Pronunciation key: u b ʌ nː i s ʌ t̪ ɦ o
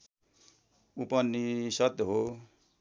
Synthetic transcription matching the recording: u p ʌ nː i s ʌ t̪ ɦ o